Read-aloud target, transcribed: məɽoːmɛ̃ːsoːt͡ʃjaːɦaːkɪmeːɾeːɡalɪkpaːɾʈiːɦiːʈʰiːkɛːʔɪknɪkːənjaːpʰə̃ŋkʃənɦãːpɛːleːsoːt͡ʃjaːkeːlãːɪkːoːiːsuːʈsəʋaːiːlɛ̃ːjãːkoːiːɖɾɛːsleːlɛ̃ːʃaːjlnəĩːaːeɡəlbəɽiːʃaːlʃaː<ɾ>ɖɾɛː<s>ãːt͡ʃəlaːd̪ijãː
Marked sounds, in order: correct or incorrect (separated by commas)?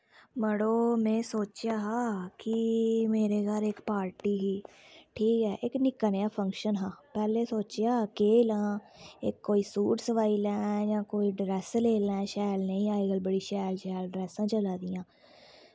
incorrect, correct